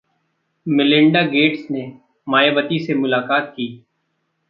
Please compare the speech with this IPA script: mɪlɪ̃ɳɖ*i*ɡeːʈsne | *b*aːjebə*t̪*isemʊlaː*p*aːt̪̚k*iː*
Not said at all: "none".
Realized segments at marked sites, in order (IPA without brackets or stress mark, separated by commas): a, m, t̪, k, iː